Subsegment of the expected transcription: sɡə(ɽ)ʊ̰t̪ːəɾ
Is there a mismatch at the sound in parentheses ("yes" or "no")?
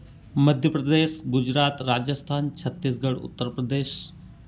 no